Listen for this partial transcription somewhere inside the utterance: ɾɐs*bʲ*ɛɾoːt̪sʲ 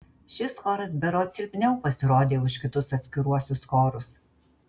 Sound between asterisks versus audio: correct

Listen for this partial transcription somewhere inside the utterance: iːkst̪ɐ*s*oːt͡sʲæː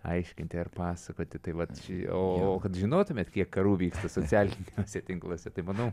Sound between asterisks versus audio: correct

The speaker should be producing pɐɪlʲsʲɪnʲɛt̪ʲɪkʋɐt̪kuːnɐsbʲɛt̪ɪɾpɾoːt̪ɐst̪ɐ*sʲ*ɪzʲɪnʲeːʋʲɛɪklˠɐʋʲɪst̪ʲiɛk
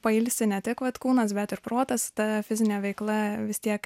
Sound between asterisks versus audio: incorrect: fʲ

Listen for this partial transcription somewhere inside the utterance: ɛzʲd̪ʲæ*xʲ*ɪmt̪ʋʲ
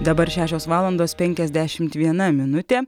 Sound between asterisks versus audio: incorrect: ʃʲ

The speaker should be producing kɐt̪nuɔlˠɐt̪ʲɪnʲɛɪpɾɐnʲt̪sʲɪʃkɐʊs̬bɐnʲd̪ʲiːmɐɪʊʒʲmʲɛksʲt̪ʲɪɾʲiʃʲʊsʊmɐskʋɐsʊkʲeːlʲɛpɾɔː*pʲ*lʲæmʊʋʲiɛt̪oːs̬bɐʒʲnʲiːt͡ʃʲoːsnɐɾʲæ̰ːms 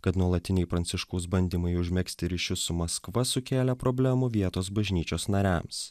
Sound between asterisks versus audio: incorrect: bʲ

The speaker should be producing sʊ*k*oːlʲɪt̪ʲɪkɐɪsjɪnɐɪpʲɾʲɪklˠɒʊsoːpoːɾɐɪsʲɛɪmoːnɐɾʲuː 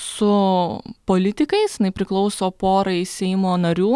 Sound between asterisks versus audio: incorrect: p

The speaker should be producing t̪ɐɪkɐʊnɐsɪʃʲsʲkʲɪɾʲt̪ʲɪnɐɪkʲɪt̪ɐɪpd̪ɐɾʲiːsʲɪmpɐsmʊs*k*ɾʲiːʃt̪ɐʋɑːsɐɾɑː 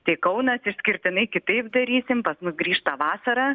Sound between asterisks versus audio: incorrect: ɡ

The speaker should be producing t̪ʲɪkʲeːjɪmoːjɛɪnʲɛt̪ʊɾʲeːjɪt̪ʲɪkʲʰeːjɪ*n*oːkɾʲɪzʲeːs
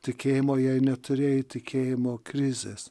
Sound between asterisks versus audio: incorrect: m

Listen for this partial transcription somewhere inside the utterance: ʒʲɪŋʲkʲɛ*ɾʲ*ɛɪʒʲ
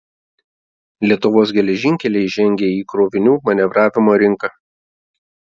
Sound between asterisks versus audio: incorrect: lʲ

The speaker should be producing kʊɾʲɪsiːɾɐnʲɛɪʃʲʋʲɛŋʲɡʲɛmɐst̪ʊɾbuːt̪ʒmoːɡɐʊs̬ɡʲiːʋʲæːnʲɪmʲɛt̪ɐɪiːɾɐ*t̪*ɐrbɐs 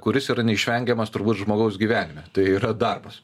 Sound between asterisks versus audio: incorrect: d̪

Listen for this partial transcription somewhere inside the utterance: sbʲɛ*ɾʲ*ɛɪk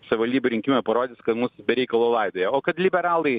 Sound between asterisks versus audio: correct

